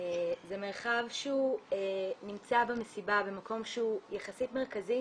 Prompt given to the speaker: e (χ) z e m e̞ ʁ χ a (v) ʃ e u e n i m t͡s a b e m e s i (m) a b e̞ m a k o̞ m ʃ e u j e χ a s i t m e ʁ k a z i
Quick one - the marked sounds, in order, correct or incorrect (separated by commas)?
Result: incorrect, correct, incorrect